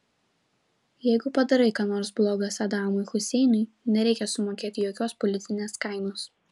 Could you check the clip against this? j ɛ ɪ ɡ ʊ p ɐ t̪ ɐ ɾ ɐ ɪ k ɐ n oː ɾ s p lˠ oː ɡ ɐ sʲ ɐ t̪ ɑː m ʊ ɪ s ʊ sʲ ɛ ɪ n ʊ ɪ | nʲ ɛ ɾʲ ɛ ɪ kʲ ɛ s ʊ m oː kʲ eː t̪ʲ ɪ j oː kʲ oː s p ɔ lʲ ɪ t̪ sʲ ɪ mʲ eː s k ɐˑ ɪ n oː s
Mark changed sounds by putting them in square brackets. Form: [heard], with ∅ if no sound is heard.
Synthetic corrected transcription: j ɛ ɪ ɡ ʊ p ɐ [d̪] ɐ ɾ ɐ ɪ k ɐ n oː ɾ s [b] lˠ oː ɡ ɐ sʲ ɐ [d̪] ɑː m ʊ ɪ [x] ʊ sʲ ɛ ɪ n ʊ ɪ | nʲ ɛ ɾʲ ɛ ɪ kʲ ɛ s ʊ m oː kʲ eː t̪ʲ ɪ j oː kʲ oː s p ɔ lʲ ɪ t̪ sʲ ɪ [nʲ] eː s k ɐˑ ɪ n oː s